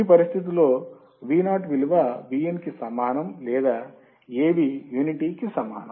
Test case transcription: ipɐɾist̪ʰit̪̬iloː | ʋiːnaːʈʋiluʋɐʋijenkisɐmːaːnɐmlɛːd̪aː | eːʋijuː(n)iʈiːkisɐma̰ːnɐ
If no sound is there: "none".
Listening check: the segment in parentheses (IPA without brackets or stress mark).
n